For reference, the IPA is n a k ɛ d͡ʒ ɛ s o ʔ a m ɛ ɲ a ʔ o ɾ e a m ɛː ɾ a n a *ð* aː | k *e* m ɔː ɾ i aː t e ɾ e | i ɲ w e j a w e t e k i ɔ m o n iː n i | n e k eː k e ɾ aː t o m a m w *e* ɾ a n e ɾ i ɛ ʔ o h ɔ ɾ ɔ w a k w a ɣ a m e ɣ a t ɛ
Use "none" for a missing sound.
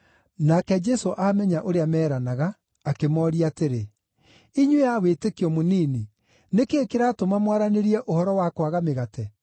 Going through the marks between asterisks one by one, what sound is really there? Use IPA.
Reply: ɣ, e, a

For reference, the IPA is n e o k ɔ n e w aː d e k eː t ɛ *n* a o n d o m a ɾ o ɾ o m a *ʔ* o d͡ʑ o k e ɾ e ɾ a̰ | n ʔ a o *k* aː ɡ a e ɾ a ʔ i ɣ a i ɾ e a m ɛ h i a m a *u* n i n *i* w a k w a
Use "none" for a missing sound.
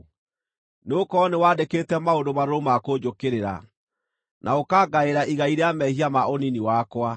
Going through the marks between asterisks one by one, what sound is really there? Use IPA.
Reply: m, k, k, o, i

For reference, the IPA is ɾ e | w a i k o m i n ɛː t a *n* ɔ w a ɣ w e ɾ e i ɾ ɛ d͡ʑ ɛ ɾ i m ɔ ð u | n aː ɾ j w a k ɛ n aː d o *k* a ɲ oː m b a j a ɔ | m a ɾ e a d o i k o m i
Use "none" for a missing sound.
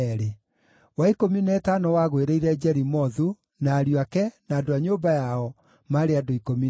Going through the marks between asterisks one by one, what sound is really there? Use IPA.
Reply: n, none

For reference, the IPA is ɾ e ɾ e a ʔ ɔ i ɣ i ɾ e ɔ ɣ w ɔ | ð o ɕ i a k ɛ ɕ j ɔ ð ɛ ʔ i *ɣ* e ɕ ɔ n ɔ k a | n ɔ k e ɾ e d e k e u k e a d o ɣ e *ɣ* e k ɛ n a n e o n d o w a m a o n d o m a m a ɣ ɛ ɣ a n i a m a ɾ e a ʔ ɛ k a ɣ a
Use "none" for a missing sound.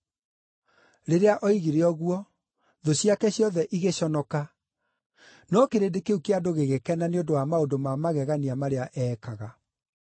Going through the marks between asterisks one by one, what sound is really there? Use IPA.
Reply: ɣ, ɣ

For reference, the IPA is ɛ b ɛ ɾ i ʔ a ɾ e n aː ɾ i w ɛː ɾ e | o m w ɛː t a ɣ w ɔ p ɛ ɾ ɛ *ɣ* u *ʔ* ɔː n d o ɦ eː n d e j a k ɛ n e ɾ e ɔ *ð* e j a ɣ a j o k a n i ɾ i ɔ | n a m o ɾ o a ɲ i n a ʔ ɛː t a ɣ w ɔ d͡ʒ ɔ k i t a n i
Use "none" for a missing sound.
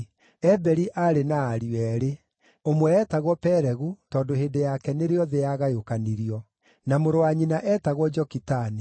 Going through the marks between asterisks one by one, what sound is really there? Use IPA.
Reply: ɣ, t, ð

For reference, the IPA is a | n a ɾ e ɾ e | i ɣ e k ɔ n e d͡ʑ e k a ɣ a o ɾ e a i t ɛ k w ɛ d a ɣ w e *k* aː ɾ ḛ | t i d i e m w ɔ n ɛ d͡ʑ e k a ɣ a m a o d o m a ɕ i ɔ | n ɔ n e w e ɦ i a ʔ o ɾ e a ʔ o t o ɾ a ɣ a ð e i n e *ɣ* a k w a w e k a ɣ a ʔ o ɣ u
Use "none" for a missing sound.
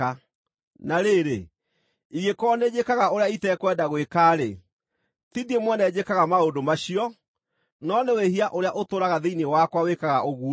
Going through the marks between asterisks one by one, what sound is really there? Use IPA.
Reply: k, w

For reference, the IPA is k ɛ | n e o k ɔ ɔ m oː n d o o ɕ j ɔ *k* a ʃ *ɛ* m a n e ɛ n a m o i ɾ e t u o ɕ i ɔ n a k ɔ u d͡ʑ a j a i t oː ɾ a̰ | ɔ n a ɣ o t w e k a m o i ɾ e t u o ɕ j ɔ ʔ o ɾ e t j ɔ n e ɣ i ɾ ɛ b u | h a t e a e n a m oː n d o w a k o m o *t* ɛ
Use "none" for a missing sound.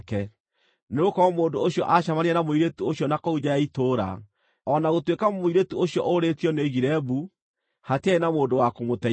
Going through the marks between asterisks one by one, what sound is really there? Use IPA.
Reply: ʔ, a, t

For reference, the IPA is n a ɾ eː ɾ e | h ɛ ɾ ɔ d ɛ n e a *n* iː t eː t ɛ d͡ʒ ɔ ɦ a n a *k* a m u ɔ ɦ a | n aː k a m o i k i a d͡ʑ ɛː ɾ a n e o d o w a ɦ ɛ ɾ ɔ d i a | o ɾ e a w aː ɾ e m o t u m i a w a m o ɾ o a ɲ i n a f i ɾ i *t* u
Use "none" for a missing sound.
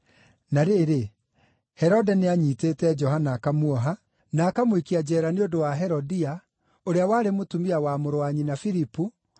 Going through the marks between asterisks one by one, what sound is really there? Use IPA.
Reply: ɲ, k, p

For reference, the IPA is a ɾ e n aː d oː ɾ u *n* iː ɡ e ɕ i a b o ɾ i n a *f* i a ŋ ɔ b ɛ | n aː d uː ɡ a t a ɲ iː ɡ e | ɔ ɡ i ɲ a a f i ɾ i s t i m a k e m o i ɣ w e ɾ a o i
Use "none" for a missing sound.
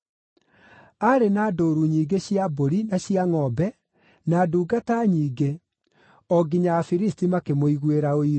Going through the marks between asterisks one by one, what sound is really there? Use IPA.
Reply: ɲ, ɕ

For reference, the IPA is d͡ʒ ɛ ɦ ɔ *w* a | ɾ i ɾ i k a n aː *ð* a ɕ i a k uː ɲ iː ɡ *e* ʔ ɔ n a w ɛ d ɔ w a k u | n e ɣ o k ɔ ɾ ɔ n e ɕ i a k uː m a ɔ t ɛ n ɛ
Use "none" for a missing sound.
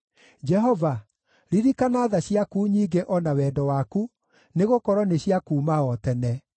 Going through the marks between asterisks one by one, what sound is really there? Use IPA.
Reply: v, ð, e

